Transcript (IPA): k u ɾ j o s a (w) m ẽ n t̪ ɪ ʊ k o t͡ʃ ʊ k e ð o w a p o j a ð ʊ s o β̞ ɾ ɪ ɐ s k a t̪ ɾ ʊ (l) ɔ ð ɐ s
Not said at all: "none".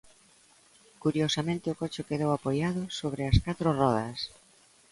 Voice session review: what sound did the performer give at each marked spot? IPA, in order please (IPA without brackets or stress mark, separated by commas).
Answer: none, r